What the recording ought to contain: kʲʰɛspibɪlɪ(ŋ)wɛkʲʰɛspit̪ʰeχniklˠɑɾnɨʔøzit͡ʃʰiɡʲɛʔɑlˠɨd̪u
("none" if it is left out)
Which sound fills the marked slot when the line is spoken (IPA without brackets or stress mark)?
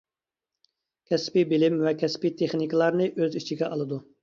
m